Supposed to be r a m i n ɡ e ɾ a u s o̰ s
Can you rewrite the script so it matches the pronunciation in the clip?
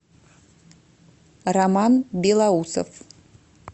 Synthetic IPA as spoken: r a m a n b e l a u s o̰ f